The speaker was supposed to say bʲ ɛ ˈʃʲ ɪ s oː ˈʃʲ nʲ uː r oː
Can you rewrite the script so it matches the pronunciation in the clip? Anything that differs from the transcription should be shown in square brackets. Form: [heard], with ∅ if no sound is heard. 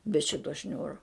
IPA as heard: bʲ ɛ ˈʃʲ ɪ [t] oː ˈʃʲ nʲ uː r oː